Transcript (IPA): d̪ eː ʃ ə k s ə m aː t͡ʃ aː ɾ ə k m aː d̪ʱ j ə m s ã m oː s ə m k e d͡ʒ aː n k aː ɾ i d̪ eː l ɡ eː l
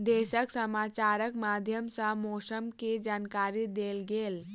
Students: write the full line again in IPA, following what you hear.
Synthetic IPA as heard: d̪ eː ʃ ə k s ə m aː t͡ʃ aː ɾ ə k m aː d̪ʱ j ə m s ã m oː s ə m k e d͡ʒ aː n k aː ɾ i d̪ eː l ɡ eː l